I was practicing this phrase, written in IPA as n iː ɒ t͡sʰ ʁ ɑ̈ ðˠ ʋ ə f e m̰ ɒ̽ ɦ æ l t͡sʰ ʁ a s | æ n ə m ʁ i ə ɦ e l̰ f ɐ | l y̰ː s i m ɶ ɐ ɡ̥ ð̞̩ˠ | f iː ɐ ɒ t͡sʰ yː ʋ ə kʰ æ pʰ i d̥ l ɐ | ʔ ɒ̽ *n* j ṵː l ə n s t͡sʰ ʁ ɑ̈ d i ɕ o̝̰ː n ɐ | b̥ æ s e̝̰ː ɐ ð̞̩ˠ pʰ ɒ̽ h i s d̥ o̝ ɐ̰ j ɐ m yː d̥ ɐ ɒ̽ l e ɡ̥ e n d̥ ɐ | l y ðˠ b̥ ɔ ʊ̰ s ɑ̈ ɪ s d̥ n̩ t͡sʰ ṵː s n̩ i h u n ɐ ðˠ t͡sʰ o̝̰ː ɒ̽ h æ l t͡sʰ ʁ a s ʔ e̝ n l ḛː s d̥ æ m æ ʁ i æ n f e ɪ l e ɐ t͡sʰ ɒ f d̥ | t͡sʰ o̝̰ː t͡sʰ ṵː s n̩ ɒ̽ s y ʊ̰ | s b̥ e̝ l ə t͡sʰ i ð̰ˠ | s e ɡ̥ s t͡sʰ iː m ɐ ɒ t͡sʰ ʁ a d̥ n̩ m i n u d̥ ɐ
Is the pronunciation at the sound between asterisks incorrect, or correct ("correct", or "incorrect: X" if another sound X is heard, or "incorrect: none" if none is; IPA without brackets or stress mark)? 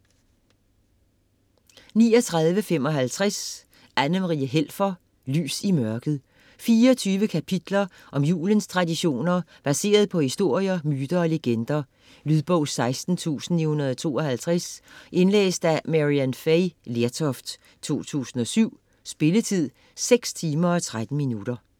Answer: incorrect: m